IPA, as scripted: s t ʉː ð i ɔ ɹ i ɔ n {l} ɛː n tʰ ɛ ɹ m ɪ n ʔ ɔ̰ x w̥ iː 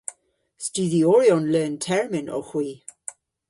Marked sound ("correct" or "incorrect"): correct